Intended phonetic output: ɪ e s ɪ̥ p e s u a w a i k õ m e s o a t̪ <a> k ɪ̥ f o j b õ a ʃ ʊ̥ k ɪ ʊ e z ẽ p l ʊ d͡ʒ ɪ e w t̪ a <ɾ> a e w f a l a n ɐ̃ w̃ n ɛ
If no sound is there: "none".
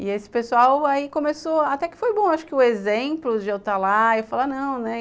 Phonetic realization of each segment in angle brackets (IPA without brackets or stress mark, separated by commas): ɛ, l